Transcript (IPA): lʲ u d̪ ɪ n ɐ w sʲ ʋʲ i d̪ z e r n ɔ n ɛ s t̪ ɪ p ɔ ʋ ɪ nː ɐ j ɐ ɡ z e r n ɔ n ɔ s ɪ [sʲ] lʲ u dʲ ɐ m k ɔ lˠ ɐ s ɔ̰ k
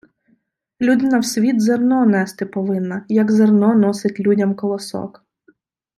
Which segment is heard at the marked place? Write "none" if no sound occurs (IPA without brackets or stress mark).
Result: tʲ